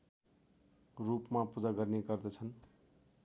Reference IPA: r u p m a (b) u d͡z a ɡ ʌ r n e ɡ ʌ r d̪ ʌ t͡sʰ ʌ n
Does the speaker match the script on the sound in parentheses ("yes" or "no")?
no